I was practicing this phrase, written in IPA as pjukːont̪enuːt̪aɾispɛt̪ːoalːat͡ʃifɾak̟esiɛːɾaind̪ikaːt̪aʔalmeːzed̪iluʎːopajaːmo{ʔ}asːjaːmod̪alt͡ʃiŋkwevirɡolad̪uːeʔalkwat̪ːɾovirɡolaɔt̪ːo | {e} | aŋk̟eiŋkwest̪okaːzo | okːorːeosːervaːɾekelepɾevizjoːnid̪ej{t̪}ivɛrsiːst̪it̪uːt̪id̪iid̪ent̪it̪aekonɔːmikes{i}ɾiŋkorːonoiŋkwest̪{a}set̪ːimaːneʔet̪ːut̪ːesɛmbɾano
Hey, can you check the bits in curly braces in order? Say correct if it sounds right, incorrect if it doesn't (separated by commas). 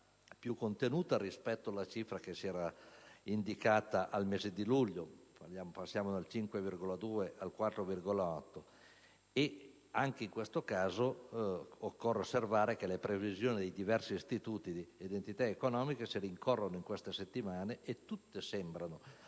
incorrect, correct, incorrect, correct, incorrect